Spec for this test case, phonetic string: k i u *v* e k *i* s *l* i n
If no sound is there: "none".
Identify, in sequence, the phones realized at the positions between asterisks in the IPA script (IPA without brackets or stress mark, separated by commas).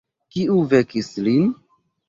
v, i, l